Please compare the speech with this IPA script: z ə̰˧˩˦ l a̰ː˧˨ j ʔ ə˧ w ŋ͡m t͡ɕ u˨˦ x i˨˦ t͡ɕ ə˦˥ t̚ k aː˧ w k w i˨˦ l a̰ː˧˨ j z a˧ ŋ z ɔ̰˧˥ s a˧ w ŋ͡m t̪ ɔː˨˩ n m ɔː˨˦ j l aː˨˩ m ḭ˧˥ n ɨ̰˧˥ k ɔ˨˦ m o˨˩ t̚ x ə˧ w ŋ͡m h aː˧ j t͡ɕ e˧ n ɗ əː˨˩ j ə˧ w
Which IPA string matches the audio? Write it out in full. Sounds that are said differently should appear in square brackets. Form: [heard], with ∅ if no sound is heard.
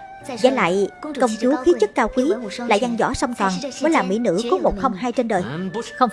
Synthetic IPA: z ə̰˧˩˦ l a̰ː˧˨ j [k] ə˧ w ŋ͡m t͡ɕ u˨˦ x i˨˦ t͡ɕ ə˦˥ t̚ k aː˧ w k w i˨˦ l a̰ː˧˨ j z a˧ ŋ z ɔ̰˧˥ s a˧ w ŋ͡m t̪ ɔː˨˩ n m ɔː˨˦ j l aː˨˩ m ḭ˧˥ n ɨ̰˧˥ k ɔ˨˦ m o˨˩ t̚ x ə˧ w ŋ͡m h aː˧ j t͡ɕ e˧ n ɗ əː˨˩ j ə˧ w